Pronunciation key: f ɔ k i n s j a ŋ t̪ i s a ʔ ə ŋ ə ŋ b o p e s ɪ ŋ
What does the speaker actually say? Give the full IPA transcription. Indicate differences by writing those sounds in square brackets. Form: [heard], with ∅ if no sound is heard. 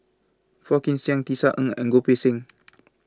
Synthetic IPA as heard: f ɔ k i n s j a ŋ t̪ i s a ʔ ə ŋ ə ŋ [ɡ] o p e s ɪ ŋ